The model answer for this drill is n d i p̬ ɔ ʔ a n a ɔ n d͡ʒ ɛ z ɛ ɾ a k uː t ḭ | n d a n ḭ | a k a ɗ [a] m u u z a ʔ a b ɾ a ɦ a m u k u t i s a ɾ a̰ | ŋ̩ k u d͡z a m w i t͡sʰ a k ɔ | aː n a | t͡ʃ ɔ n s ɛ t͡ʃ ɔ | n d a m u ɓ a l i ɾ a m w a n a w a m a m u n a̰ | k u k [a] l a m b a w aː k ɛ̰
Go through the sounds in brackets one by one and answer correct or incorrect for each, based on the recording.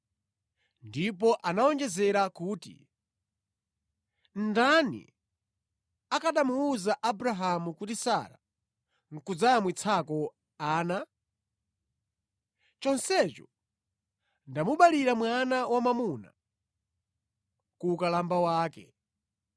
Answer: correct, correct

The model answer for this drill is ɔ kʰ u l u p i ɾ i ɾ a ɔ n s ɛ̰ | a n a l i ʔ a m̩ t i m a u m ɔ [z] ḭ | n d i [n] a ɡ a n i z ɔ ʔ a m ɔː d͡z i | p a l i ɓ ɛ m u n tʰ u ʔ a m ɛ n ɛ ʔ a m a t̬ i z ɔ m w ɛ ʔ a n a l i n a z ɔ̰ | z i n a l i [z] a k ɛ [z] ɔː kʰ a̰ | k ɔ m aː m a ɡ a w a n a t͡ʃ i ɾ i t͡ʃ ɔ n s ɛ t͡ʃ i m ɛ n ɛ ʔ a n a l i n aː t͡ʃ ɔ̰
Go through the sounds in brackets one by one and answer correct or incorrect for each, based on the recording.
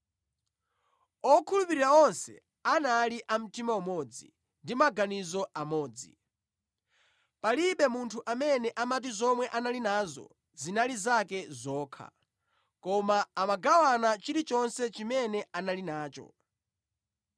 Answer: incorrect: d͡z, incorrect: m, correct, correct

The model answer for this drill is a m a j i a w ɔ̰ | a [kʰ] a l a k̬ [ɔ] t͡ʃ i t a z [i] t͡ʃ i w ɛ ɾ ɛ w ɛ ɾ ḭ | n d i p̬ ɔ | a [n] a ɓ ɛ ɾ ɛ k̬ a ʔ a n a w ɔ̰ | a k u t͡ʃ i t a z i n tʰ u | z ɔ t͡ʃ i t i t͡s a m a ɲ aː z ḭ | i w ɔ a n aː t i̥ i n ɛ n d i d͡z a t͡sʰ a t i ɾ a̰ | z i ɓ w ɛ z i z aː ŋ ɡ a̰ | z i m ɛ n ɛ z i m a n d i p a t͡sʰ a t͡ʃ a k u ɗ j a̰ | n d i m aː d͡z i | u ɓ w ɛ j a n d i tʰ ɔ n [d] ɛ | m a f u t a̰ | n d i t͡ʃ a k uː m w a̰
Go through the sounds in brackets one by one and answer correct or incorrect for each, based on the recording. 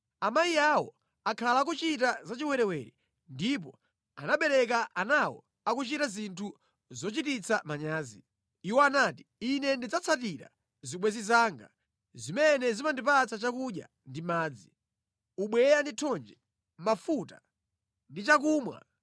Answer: correct, incorrect: u, incorrect: a, correct, incorrect: d͡ʒ

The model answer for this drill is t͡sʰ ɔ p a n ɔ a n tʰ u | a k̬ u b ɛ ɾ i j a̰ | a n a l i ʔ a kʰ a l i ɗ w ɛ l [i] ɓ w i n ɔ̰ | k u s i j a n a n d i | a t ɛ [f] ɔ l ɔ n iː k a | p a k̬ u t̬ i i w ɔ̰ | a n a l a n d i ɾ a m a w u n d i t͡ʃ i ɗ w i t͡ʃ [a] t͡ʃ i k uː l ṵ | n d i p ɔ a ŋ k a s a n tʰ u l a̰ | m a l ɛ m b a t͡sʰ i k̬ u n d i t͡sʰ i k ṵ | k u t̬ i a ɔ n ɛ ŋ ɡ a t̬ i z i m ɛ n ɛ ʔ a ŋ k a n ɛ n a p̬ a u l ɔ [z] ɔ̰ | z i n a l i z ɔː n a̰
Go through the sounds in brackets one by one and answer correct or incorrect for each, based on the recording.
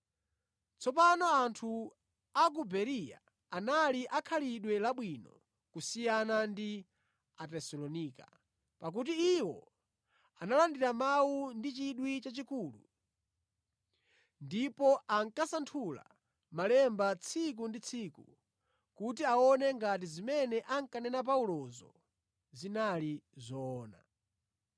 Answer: incorrect: a, incorrect: s, correct, correct

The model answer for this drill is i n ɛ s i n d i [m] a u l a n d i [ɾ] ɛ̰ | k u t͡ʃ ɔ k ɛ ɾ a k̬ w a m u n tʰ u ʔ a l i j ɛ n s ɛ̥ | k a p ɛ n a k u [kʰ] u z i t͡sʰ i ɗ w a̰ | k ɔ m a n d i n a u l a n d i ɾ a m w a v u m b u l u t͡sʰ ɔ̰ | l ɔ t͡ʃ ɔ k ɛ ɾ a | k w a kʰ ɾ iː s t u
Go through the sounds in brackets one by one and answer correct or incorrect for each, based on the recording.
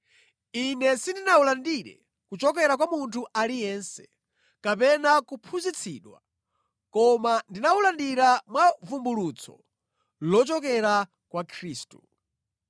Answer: incorrect: n, correct, incorrect: pʰ

